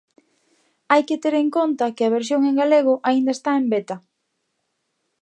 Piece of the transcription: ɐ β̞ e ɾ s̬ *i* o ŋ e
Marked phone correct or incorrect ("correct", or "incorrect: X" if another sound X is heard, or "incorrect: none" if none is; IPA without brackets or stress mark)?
incorrect: j